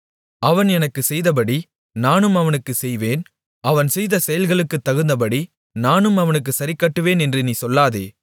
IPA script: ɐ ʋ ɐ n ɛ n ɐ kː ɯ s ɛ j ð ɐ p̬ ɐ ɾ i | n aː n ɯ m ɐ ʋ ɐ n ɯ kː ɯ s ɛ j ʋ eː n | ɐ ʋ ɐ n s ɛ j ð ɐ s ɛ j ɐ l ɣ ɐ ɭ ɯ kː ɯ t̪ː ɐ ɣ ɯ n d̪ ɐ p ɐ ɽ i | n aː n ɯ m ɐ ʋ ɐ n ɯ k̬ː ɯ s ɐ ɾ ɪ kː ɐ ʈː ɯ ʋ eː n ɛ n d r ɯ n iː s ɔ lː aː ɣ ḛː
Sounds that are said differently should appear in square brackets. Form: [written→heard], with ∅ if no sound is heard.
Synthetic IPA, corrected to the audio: ɐ ʋ ɐ n ɛ n ɐ kː ɯ s ɛ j ð ɐ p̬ ɐ [ɾ→ɽ] i | n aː n ɯ m ɐ ʋ ɐ n ɯ kː ɯ s ɛ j ʋ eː n | ɐ ʋ ɐ n s ɛ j ð ɐ s ɛ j ɐ l ɣ ɐ ɭ ɯ kː ɯ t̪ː ɐ ɣ ɯ n d̪ ɐ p ɐ ɽ i | n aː n ɯ m ɐ ʋ ɐ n ɯ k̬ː ɯ s ɐ ɾ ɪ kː ɐ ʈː ɯ ʋ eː n ɛ n d r ɯ n iː s ɔ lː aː [ɣ→ð] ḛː